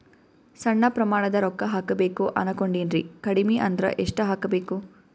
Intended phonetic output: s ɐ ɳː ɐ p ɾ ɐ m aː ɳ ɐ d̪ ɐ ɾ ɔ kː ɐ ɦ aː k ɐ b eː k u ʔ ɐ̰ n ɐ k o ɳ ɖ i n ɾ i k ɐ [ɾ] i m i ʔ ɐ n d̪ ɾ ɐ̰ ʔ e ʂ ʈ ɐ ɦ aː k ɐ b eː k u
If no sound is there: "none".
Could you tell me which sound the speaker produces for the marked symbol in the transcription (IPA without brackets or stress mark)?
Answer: ɽ